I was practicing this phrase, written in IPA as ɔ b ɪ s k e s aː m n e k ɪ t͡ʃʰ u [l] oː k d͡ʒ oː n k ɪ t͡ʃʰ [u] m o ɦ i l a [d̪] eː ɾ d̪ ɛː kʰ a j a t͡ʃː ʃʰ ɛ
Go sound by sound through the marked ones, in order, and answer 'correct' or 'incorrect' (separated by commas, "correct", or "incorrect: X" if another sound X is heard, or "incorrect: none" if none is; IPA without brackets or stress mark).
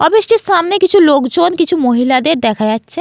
correct, correct, correct